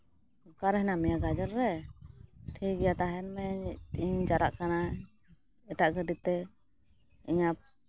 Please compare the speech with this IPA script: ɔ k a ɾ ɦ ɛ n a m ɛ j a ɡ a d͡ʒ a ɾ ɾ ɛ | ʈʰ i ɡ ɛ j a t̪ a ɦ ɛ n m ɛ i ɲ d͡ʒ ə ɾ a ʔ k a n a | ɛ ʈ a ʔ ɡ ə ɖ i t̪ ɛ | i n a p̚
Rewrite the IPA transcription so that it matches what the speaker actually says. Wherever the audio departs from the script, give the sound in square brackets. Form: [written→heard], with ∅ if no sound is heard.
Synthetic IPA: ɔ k a ɾ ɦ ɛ n a m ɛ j a ɡ a d͡ʒ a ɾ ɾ ɛ | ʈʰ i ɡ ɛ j a t̪ a ɦ ɛ n m ɛ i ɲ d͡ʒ [ə→a] ɾ a ʔ k a n a | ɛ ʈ a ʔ ɡ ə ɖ i t̪ ɛ | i [n→ɲ] a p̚

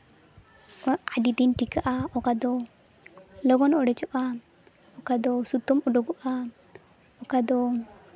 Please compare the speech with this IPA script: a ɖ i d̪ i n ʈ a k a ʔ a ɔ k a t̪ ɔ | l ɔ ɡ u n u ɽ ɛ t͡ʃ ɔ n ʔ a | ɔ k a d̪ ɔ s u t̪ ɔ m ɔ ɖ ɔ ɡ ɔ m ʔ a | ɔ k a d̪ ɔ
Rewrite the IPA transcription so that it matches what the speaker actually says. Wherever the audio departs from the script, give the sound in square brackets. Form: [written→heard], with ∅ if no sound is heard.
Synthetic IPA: a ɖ i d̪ i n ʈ [a→i] k a ʔ a ɔ k a [t̪→d̪] ɔ | l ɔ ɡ [u→ɔ] n [u→ɔ] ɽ ɛ t͡ʃ ɔ [n→∅] ʔ a | ɔ k a d̪ ɔ s u t̪ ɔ m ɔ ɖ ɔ ɡ ɔ [m→∅] ʔ a | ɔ k a d̪ ɔ

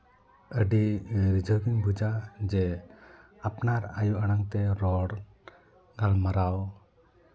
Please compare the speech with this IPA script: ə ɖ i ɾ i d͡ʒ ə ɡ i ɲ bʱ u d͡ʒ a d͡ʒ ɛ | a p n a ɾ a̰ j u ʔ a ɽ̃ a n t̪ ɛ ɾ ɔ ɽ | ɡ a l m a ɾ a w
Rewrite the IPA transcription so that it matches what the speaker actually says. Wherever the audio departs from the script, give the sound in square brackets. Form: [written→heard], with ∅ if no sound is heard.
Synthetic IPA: ə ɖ i ɾ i d͡ʒ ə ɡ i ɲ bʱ u d͡ʒ a d͡ʒ ɛ | a p n a ɾ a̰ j u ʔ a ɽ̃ a [n→ŋ] t̪ ɛ ɾ ɔ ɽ | ɡ a l m a ɾ a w

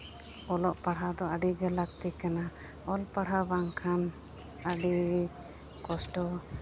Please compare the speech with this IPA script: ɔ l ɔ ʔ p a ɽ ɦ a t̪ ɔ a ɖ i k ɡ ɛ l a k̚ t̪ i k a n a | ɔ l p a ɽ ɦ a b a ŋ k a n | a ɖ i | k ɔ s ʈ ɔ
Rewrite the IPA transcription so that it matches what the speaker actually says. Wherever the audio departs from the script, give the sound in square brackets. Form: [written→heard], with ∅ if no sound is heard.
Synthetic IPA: ɔ l ɔ ʔ p a ɽ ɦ a [t̪→d̪] ɔ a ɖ i [k→∅] ɡ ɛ l a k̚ t̪ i k a n a | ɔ l p a ɽ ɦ a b a ŋ [k→kʰ] a n | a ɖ i | k ɔ s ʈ ɔ

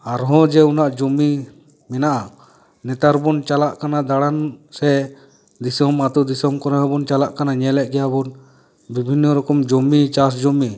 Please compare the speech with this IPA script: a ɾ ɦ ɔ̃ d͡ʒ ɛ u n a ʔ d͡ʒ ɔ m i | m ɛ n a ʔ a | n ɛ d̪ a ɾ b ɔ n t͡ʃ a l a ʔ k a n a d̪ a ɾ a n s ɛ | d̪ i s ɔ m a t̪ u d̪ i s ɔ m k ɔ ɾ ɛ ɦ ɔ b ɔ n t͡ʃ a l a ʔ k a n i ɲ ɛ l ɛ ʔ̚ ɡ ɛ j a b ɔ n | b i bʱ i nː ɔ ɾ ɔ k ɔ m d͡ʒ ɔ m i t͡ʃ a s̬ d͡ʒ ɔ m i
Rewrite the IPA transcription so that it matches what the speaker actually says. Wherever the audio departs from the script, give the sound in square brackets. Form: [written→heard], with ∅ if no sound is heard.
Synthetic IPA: a ɾ ɦ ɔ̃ d͡ʒ ɛ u n a ʔ d͡ʒ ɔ m i | m ɛ n a ʔ a | n ɛ [d̪→t̪] a ɾ b ɔ n t͡ʃ a l a ʔ k a n a d̪ a [ɾ→ɽ] a n s ɛ | d̪ i s ɔ m a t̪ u d̪ i s ɔ m k ɔ ɾ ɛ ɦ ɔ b ɔ n t͡ʃ a l a ʔ k a n [i→a] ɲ ɛ l ɛ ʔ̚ ɡ ɛ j a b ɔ n | b i bʱ i nː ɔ ɾ ɔ k ɔ m d͡ʒ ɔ m i t͡ʃ a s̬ d͡ʒ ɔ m i

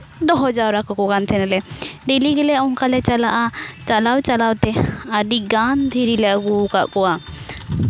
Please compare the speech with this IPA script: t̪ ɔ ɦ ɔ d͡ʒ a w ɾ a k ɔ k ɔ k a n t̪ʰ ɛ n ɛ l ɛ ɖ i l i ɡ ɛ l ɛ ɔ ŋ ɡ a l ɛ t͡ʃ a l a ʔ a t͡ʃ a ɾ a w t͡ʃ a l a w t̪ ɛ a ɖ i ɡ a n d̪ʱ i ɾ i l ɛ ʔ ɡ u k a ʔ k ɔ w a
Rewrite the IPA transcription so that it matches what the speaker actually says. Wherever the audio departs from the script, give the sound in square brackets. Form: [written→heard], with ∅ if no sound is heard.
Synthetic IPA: [t̪→d̪] ɔ ɦ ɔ d͡ʒ a w ɾ a k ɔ k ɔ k a n t̪ʰ ɛ n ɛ l ɛ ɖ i l i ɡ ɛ l ɛ ɔ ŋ [ɡ→k] a l ɛ t͡ʃ a l a ʔ a t͡ʃ a [ɾ→l] a w t͡ʃ a l a w t̪ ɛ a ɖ i ɡ a n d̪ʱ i ɾ i l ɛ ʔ ɡ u k a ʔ k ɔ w a

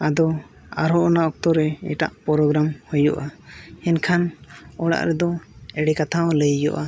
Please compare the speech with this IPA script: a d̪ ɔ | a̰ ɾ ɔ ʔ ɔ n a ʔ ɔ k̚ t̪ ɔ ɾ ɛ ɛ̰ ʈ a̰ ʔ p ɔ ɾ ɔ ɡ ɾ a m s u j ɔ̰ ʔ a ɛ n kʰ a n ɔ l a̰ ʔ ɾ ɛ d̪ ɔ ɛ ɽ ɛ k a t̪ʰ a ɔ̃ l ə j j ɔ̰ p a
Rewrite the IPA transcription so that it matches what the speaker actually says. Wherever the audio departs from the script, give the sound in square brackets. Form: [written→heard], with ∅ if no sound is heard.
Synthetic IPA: a d̪ ɔ | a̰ ɾ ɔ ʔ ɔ n a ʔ ɔ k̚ t̪ ɔ ɾ ɛ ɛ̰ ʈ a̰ ʔ p ɔ ɾ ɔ ɡ ɾ a m [s→h] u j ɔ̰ ʔ a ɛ n kʰ a n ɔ [l→ɽ] a̰ ʔ ɾ ɛ d̪ ɔ ɛ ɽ ɛ k a t̪ʰ a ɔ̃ l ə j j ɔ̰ [p→ʔ] a

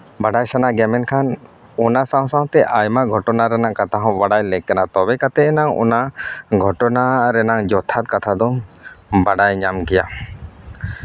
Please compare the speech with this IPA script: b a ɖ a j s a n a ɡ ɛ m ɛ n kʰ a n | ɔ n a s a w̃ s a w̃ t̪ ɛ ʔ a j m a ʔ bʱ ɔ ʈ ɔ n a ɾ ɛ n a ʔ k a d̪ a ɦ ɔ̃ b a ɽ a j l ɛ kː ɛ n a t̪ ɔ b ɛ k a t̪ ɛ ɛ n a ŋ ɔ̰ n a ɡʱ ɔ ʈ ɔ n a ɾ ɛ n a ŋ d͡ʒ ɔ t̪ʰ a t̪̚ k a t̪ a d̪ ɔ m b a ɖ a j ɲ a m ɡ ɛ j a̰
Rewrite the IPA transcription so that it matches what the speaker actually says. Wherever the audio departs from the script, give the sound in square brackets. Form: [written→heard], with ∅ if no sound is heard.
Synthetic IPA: b a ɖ a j s a n a ɡ ɛ m ɛ n kʰ a n | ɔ n a s a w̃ s a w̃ t̪ ɛ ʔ a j m a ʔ [bʱ→ɡʱ] ɔ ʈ ɔ n a ɾ ɛ n a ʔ k a [d̪→t̪] a ɦ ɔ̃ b a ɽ a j l ɛ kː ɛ n a t̪ ɔ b ɛ k a t̪ ɛ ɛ n a ŋ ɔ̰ n a ɡʱ ɔ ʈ ɔ n a ɾ ɛ n a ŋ d͡ʒ ɔ t̪ʰ a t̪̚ k a [t̪→t̪ʰ] a d̪ ɔ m b a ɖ a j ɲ a m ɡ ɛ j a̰

